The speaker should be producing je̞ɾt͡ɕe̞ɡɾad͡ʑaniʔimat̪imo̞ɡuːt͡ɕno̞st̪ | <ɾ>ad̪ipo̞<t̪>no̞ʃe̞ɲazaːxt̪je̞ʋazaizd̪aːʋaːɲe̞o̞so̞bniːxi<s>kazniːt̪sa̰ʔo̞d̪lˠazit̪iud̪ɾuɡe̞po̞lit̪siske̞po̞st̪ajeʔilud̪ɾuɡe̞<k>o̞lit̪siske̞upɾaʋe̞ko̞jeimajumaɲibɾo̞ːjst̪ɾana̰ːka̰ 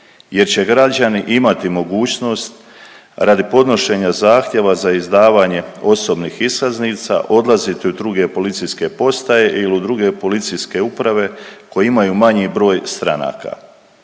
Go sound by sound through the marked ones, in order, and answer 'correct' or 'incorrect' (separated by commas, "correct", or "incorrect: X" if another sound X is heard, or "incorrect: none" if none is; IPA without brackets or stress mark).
correct, incorrect: d̪, correct, incorrect: p